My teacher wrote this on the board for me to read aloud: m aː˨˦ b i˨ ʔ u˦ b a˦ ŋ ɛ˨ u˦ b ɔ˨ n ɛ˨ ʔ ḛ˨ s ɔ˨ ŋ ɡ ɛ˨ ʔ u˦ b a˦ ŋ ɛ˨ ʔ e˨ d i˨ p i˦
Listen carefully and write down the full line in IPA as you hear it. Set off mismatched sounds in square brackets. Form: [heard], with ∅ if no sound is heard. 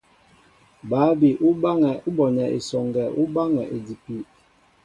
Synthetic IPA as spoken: [b] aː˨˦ b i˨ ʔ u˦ b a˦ ŋ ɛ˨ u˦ b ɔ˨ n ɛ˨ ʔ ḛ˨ s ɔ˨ ŋ ɡ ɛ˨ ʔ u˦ b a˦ ŋ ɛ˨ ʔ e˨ d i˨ p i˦